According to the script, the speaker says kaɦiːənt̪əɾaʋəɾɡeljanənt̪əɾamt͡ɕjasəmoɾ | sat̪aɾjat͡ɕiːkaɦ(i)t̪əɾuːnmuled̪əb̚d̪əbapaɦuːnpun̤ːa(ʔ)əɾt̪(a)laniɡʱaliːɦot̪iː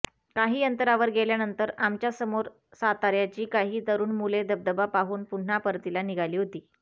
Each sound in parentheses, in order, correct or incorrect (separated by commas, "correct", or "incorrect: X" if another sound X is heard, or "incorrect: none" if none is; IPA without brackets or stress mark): incorrect: iː, incorrect: p, incorrect: i